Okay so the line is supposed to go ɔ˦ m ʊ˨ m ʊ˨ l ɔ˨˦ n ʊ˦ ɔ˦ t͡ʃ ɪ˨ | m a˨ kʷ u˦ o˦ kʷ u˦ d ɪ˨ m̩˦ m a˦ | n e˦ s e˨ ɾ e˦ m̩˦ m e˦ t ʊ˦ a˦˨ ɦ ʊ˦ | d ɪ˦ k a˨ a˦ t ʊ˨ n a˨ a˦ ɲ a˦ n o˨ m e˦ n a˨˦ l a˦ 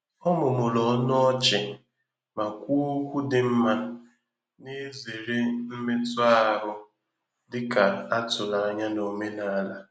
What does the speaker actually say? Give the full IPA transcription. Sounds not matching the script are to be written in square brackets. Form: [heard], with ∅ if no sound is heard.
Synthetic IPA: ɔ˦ m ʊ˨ m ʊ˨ l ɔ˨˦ n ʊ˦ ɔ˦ t͡ʃ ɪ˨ | m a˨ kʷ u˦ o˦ kʷ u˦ d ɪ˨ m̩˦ m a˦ | n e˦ [z] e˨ ɾ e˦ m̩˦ m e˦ t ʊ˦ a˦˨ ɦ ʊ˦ | d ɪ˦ k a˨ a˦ t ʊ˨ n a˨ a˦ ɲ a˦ n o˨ m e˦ n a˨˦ l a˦

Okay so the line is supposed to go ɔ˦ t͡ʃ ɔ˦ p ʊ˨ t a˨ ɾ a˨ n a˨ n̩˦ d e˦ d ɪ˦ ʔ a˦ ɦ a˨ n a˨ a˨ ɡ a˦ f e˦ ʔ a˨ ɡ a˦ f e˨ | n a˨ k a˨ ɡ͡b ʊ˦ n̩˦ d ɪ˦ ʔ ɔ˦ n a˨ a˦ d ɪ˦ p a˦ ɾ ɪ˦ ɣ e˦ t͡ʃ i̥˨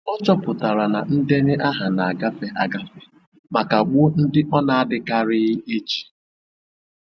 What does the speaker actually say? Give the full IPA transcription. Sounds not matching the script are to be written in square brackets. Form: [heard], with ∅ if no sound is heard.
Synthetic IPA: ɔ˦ t͡ʃ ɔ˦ p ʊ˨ t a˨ ɾ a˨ n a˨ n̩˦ d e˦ [n] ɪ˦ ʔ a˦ ɦ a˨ n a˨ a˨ ɡ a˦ f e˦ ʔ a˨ ɡ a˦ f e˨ | [m] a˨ k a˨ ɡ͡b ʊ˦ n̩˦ d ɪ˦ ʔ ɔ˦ n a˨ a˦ d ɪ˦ [k] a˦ ɾ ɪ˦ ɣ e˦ t͡ʃ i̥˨

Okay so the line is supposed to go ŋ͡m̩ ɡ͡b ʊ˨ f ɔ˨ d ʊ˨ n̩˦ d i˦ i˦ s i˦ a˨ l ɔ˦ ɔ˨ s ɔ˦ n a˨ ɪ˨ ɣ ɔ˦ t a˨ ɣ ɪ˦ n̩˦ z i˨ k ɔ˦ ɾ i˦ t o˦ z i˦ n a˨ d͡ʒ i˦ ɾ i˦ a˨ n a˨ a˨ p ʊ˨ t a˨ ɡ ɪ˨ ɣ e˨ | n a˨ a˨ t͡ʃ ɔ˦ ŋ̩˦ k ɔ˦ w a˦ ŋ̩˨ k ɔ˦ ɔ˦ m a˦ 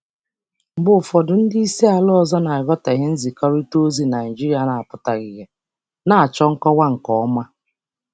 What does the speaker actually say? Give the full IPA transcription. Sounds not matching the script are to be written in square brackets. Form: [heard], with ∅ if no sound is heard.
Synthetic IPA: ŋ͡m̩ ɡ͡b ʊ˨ f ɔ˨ d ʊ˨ n̩˦ d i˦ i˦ s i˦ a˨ l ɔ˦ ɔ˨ [z] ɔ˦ n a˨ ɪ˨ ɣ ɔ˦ t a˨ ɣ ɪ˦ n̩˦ z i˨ k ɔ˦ ɾ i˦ t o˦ z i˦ n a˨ d͡ʒ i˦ ɾ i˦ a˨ n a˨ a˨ p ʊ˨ t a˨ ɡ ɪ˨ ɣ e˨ | n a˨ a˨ t͡ʃ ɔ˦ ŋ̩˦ k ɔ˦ w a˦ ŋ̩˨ k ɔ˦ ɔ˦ m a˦

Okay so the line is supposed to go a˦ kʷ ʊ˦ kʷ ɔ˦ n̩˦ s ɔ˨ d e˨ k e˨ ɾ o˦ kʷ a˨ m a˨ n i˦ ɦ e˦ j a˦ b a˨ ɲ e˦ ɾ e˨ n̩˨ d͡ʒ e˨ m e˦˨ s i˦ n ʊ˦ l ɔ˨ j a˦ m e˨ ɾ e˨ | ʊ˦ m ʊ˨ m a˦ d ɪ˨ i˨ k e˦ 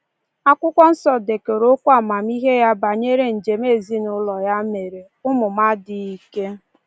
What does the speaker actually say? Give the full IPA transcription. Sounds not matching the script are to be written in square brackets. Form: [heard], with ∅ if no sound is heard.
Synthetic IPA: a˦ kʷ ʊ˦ kʷ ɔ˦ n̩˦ s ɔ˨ d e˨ k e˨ ɾ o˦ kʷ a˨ m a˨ [m] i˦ ɦ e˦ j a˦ b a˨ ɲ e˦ ɾ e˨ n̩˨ d͡ʒ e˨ m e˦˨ [z] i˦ n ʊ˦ l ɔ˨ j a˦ m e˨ ɾ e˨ | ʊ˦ m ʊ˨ m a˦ d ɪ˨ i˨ k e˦

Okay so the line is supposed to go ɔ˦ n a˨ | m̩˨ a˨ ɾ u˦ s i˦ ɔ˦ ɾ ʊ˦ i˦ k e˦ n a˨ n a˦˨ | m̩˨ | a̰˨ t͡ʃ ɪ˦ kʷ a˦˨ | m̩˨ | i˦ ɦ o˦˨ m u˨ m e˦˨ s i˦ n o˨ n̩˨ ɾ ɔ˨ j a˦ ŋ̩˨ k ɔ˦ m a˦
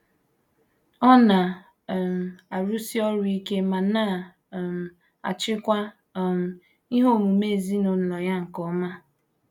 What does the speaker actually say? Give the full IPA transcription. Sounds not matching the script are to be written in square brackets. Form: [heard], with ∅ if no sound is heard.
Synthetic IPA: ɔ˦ n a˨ | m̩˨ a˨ ɾ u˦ s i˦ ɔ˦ ɾ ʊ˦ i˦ k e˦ [m] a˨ n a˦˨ | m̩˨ | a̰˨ t͡ʃ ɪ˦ kʷ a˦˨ | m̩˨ | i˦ ɦ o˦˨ m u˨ m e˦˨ [z] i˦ n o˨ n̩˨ [l] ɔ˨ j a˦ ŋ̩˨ k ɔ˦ m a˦

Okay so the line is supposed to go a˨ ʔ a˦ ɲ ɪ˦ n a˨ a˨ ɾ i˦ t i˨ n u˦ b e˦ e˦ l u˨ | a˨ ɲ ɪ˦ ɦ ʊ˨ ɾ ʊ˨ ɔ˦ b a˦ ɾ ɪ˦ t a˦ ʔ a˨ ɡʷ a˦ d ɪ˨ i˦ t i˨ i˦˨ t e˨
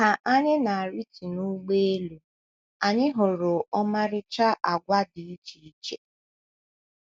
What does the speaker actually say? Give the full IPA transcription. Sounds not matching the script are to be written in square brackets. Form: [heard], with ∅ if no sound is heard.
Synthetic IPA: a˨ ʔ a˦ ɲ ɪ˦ n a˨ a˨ ɾ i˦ t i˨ n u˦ [ɡ͡b] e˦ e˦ l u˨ | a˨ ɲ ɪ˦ ɦ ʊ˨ ɾ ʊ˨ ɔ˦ [m] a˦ ɾ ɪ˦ [t͡ʃ] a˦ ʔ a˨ ɡʷ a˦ d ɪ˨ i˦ [t͡ʃ] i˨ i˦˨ [t͡ʃ] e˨

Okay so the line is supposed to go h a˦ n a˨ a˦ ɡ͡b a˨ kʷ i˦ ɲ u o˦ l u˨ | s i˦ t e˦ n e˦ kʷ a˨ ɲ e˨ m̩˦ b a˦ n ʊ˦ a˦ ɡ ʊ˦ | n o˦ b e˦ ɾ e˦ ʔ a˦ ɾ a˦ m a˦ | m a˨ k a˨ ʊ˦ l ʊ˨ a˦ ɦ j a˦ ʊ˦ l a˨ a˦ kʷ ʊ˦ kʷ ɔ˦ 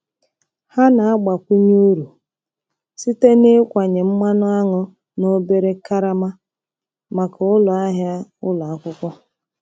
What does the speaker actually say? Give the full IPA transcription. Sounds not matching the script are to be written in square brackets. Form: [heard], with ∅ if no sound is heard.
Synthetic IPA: h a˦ n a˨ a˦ ɡ͡b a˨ kʷ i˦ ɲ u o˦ [ɾ] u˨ | s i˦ t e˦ n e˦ kʷ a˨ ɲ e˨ m̩˦ [m] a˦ n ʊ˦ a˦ [ŋ] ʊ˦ | n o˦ b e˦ ɾ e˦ [k] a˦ ɾ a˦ m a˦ | m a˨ k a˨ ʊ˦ l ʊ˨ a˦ ɦ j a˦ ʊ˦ l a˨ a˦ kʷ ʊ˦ kʷ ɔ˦

